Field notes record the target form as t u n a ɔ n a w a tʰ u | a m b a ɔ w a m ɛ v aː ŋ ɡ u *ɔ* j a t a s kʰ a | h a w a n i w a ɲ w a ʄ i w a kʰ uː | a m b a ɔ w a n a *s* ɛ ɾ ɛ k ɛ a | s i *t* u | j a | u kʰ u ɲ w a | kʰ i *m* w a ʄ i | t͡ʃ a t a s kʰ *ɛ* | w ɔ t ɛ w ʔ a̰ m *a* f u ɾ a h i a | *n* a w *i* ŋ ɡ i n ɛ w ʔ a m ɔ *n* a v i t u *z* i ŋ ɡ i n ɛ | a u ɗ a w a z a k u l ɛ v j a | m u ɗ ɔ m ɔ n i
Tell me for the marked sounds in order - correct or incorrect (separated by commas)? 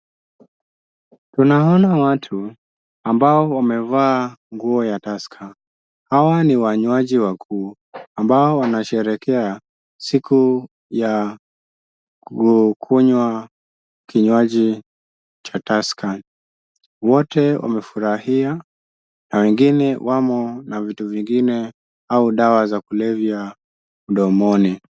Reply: correct, incorrect, incorrect, incorrect, incorrect, incorrect, correct, incorrect, correct, incorrect